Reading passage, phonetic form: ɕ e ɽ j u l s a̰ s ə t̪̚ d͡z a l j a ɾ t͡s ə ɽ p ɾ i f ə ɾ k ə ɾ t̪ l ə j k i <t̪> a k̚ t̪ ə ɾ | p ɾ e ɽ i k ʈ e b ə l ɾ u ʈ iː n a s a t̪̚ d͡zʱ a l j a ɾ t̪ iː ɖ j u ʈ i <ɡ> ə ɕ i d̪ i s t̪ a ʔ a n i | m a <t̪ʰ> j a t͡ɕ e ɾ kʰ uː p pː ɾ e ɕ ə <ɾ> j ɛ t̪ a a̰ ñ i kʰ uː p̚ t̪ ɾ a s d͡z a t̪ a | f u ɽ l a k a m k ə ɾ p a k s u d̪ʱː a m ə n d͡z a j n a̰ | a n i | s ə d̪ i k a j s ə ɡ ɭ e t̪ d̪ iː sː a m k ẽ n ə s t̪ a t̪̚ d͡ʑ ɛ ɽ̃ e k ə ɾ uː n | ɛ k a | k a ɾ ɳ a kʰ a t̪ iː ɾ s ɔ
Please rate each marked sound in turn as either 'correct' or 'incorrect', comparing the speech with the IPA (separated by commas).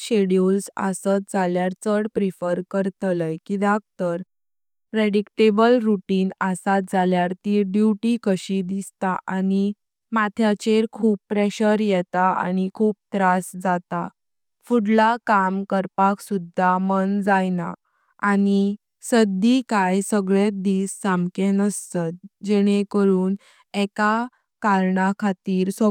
incorrect, incorrect, correct, correct